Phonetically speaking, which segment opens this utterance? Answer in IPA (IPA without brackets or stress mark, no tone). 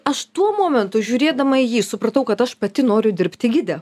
ɐ